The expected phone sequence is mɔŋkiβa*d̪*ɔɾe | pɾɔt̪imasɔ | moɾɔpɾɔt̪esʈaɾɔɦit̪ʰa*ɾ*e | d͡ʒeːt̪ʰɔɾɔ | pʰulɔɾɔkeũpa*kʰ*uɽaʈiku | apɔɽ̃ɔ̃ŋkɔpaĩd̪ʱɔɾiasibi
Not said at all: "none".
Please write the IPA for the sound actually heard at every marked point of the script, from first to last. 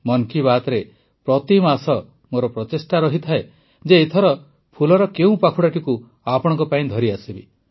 t̪, none, kʰ

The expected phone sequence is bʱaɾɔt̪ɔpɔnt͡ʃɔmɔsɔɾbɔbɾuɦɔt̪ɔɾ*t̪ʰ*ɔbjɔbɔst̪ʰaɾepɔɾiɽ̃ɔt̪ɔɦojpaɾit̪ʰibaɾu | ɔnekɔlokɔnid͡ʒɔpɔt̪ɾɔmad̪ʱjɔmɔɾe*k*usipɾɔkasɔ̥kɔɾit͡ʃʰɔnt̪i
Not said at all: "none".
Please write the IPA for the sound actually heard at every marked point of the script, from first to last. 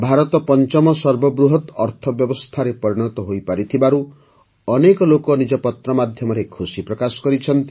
t̪ʰ, kʰ

